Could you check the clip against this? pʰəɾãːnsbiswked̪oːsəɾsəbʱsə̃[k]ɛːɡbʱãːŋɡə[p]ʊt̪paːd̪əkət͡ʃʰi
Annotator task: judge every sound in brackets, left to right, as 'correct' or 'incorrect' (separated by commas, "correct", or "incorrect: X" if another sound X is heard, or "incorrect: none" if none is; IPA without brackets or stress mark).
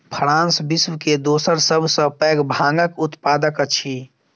incorrect: p, incorrect: k